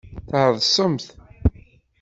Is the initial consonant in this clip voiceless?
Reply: yes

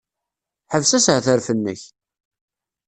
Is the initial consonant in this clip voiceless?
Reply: yes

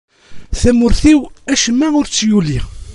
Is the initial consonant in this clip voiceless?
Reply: yes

